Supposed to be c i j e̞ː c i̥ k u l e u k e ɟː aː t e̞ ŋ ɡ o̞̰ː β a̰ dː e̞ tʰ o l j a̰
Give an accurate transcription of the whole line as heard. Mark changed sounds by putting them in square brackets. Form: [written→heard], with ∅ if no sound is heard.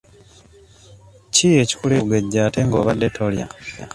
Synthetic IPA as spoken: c i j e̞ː c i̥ k u l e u [k→ɡ] e ɟː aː t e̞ ŋ ɡ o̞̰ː β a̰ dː e̞ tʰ o l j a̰